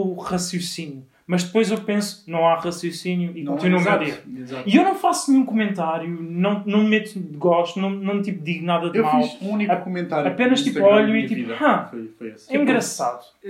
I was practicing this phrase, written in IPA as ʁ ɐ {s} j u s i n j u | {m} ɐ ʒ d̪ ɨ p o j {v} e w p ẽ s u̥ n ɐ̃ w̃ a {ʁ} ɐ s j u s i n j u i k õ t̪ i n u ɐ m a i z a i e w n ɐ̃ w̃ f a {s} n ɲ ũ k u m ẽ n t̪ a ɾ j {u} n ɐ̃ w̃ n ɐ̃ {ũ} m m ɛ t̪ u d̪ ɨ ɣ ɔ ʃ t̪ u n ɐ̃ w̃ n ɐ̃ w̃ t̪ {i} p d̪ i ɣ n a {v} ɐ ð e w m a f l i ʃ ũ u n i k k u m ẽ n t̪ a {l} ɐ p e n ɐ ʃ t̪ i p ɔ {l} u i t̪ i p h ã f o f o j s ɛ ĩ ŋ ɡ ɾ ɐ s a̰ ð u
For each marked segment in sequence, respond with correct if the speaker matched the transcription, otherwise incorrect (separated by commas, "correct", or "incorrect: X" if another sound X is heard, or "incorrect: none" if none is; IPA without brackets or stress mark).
correct, correct, incorrect: z, correct, correct, correct, incorrect: w̃, correct, incorrect: ð, incorrect: ɾ, incorrect: ʎ